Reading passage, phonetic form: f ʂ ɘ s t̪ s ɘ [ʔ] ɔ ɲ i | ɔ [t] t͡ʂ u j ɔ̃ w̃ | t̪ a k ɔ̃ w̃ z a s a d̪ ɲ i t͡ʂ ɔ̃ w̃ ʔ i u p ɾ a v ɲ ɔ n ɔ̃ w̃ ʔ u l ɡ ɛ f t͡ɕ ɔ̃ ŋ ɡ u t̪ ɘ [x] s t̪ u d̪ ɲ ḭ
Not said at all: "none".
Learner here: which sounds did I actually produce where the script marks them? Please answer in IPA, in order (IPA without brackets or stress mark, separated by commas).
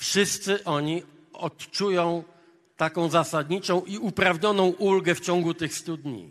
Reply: ʔ, t, x